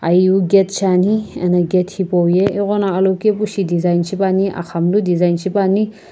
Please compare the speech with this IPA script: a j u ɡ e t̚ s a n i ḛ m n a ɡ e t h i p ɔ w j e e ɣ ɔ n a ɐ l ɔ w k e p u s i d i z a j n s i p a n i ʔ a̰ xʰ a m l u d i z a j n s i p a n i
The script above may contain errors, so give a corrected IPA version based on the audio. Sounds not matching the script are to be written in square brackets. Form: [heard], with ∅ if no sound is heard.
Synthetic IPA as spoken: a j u ɡ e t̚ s a n i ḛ [∅] n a ɡ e t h i p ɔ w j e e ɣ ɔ n a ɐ l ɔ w k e p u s i d i z a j n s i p a n i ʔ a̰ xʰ a m l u d i z a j n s i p a n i